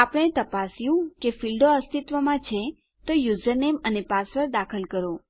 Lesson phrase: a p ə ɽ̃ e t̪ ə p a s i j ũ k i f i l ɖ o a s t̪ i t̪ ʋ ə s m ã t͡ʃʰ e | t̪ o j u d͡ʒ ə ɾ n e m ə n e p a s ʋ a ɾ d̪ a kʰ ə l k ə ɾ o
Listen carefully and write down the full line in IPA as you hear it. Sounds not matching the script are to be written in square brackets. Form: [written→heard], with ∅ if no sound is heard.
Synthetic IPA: a p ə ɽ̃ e t̪ ə p a s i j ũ k [i→e] f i l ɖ o [a→ə] s t̪ i t̪ ʋ ə [s→∅] m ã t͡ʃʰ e | t̪ o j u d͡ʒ ə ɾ n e m ə n e p a s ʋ [a→ə] ɾ d̪ a kʰ ə l k ə ɾ o